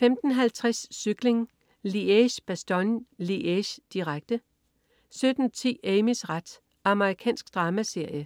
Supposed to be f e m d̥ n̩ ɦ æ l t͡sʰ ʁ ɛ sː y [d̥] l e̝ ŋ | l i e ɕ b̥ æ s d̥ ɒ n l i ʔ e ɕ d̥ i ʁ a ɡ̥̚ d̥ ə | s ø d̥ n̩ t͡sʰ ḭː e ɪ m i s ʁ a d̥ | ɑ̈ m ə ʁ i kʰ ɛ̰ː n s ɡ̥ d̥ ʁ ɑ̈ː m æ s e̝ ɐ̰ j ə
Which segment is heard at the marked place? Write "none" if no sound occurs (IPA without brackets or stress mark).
ɡ̥